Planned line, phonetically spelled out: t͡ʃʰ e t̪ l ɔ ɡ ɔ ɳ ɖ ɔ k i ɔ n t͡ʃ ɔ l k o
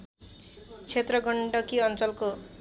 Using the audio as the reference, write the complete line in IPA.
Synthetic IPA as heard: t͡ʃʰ e t̪ ɾ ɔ ɡ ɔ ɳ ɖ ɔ k i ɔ n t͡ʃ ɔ l k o